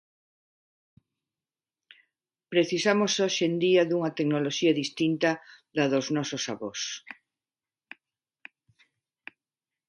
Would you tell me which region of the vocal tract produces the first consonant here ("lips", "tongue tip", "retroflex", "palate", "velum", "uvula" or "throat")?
lips